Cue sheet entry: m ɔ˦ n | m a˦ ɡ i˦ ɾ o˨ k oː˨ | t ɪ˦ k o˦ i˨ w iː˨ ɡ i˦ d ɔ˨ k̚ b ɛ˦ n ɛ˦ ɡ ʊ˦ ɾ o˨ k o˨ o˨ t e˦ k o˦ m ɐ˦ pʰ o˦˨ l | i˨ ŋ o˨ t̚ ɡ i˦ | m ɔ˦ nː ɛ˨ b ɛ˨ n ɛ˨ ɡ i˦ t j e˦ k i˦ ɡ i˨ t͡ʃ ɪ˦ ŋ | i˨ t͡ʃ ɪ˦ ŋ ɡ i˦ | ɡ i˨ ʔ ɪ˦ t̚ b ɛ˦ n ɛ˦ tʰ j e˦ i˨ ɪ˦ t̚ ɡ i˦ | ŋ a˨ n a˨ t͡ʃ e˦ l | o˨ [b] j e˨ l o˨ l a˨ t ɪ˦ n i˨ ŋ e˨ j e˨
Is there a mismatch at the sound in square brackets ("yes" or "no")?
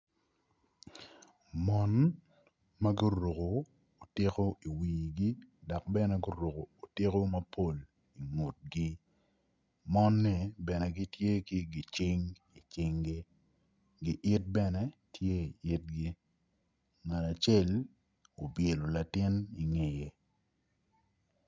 no